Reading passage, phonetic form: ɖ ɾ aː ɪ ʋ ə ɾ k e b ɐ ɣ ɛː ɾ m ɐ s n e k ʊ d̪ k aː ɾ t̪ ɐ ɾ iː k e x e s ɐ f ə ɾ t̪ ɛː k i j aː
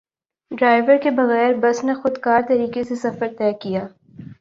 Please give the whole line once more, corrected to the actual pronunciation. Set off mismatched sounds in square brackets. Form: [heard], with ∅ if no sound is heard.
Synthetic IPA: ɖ ɾ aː ɪ ʋ ə ɾ k e b ɐ ɣ ɛː ɾ [b] ɐ s n e [x] ʊ d̪ k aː ɾ t̪ ɐ ɾ iː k e [s] e s ɐ f ə ɾ t̪ ɛː k i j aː